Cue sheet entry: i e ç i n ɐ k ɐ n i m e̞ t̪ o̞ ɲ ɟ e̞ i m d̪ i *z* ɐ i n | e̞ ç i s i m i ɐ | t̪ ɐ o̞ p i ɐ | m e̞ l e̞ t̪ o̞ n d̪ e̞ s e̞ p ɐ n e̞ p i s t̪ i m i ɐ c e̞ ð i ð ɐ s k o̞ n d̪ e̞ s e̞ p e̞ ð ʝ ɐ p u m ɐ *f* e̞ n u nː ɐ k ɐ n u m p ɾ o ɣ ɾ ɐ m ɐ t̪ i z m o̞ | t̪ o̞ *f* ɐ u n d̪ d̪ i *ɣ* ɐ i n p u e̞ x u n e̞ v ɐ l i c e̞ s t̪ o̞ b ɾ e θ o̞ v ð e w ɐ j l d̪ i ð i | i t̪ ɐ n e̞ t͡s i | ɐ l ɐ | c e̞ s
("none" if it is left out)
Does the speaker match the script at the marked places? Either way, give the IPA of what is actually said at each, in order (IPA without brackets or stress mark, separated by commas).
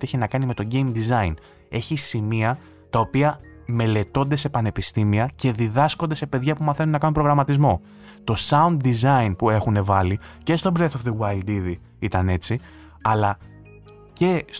z, θ, s, z